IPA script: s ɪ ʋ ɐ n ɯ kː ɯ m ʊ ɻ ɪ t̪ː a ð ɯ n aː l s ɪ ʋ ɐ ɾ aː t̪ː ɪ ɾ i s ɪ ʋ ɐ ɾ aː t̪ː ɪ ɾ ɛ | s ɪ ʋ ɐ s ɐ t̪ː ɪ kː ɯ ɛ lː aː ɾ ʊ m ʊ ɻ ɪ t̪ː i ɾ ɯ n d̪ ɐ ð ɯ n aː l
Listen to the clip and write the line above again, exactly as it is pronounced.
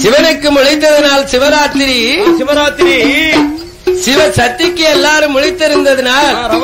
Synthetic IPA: s ɪ ʋ ɐ n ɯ kː ɯ m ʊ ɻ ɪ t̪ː ɐ ð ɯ n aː l s ɪ ʋ ɐ ɾ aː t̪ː ɪ ɾ i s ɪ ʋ ɐ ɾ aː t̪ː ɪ ɾ i | s ɪ ʋ ɐ s ɐ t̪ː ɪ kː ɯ ɛ lː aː ɾ ɯ m ʊ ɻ ɪ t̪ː ɪ ɾ ɯ n d̪ ɐ ð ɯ n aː l